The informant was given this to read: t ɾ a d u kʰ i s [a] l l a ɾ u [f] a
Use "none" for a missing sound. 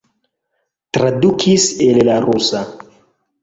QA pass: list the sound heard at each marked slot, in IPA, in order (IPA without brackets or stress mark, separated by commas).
e, s